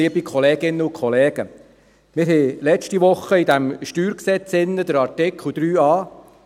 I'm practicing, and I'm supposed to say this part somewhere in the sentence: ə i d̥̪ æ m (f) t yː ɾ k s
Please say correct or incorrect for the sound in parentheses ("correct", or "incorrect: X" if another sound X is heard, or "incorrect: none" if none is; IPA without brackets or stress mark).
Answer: incorrect: ʃ